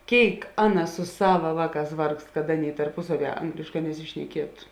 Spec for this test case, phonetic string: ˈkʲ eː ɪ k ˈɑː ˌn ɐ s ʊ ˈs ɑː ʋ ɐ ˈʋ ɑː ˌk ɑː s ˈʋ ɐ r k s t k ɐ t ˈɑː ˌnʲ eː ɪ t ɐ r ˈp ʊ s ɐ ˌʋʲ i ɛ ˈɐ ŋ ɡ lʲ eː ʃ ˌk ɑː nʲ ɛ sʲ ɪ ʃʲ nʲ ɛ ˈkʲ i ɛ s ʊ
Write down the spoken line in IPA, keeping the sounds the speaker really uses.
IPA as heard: ˈkʲ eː ɪ k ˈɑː ˌn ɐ s ʊ ˈs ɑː ʋ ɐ ˈʋ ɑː ˌk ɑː s ˈʋ ɐ r k s t k ɐ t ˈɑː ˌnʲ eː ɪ t ɐ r ˈp ʊ s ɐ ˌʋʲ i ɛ ˈɐ ŋ ɡ lʲ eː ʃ ˌk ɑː nʲ ɛ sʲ ɪ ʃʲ nʲ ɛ ˈkʲ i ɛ t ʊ